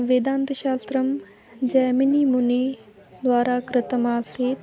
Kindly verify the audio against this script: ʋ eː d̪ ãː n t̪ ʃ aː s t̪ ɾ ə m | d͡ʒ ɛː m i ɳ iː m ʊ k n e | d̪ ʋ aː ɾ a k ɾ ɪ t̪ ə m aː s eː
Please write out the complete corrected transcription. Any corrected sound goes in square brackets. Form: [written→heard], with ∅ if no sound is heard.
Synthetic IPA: ʋ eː d̪ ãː n t̪ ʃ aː s t̪ ɾ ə m | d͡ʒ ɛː m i [ɳ→n] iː m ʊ [k→∅] n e | d̪ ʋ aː ɾ a k ɾ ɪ t̪ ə m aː s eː